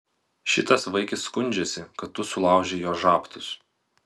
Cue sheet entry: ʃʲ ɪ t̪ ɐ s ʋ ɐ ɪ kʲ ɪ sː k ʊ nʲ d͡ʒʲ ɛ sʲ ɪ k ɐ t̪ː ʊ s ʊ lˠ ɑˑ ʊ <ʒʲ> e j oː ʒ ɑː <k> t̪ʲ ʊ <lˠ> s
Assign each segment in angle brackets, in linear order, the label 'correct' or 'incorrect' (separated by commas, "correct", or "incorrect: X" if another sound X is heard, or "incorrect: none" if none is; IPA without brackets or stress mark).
correct, incorrect: p, incorrect: none